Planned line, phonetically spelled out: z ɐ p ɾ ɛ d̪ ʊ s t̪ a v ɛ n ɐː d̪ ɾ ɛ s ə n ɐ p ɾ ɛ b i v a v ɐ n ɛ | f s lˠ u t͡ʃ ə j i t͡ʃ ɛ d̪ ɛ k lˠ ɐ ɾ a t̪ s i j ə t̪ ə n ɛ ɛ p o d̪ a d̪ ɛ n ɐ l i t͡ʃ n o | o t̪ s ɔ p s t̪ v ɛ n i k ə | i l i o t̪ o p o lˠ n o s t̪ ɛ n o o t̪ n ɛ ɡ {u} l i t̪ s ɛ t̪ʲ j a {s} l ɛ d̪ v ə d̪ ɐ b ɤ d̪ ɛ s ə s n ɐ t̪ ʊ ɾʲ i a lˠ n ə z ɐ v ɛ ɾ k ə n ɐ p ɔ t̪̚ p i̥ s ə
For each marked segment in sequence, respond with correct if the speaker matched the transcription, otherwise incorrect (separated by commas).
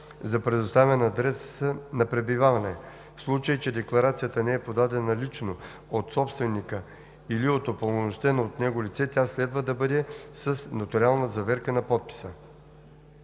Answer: incorrect, correct